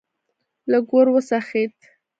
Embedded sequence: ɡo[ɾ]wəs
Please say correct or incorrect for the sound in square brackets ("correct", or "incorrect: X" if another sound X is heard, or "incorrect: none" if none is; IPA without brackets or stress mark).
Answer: correct